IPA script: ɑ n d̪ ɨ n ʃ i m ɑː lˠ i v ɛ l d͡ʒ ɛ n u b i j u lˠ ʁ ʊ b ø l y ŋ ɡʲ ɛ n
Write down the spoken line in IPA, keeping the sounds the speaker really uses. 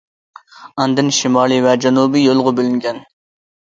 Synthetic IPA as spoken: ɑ n d̪ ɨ n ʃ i m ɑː lˠ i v ɛ d͡ʒ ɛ n u b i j o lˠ ʁ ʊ b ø l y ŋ ɡʲ ɛ n

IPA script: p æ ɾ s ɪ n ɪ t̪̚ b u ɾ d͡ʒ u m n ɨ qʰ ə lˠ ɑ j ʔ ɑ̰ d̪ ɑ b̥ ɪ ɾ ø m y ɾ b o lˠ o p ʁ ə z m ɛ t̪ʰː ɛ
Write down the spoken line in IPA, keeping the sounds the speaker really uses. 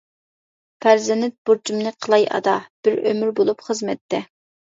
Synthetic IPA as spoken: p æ ɾ z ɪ n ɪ t̪̚ b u ɾ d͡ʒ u m n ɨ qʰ ə lˠ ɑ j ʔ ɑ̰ d̪ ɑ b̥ ɪ ɾ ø m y ɾ b o lˠ u p χ ə z m ɛ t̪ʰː ɛ

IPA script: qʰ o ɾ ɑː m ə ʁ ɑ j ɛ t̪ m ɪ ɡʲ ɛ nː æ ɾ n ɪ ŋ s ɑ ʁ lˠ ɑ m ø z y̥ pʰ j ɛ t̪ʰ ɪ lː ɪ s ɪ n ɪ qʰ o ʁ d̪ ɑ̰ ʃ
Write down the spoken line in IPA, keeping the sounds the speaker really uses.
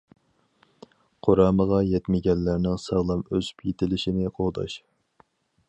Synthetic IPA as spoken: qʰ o ɾ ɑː m ə ʁ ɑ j ɛ t̪ m ɪ ɡʲ ɛ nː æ ɾ n ɪ ŋ s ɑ ʁ lˠ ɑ m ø z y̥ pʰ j e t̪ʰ ɪ l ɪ ʃ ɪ n ɪ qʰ o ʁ d̪ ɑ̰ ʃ

